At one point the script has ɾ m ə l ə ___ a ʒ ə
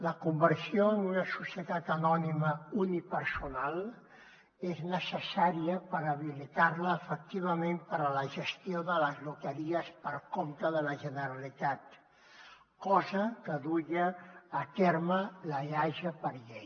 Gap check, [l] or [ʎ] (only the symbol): ʎ